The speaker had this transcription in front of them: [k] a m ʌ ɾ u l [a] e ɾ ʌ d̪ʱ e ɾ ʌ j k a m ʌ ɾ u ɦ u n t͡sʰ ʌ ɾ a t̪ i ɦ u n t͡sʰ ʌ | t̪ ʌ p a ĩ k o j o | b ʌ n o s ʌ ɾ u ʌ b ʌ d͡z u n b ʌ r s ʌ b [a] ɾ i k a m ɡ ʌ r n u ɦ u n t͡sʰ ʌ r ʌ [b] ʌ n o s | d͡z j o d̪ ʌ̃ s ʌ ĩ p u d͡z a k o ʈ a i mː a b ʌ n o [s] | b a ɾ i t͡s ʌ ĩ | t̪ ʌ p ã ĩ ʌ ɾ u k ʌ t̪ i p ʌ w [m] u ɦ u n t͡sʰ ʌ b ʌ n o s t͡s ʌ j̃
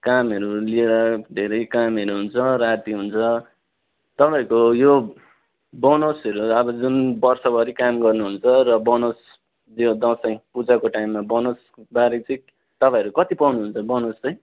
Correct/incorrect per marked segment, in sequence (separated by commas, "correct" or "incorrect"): correct, incorrect, incorrect, correct, correct, incorrect